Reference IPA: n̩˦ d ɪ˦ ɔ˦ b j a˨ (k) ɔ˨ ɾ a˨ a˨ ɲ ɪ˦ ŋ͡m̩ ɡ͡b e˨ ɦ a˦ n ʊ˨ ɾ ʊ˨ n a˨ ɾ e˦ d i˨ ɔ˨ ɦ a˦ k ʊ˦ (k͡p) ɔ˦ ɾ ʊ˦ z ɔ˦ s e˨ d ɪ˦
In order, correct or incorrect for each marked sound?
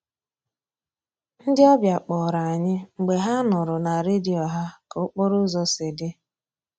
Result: incorrect, correct

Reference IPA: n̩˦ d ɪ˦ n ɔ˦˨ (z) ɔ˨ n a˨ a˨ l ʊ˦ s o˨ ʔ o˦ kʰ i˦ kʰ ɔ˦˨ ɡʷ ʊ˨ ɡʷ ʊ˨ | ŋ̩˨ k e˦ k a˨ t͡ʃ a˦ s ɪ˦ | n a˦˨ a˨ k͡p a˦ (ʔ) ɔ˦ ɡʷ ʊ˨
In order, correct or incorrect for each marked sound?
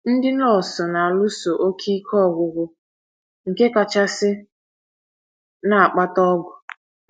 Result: incorrect, incorrect

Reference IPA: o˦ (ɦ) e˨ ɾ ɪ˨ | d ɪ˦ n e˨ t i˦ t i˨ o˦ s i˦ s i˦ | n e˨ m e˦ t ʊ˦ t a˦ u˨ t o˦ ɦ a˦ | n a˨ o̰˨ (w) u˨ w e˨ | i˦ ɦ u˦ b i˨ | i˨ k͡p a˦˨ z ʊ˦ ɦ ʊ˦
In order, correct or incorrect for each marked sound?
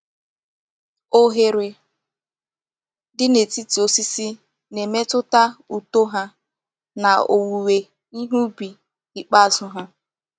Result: correct, correct

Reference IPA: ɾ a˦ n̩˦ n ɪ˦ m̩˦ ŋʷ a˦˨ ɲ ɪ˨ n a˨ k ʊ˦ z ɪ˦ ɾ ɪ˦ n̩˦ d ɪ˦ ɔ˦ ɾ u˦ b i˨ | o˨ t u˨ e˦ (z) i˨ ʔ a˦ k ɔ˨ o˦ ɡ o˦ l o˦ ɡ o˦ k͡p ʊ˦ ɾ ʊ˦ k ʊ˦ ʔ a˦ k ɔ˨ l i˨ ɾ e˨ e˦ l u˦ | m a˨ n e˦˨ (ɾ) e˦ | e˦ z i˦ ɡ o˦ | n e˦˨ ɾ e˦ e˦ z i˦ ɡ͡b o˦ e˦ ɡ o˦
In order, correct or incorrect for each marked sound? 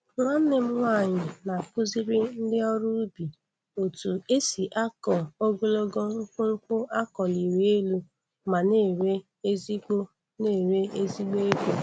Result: incorrect, correct

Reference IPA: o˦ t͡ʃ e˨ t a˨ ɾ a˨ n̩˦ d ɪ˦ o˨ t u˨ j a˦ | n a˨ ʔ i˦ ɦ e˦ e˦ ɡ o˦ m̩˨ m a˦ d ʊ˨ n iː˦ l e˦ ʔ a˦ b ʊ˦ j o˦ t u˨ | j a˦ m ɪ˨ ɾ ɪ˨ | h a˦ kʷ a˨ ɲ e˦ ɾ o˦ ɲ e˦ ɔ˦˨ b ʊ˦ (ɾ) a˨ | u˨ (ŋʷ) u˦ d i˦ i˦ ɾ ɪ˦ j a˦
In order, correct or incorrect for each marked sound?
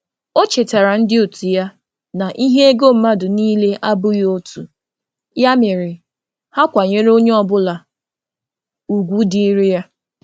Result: incorrect, incorrect

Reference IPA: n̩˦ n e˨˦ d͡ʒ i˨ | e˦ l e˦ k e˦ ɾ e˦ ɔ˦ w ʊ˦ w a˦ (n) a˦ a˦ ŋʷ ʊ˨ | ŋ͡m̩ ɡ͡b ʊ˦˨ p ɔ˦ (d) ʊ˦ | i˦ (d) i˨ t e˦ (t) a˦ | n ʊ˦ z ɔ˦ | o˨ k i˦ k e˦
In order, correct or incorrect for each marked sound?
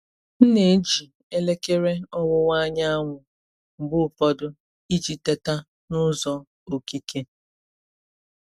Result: incorrect, correct, incorrect, correct

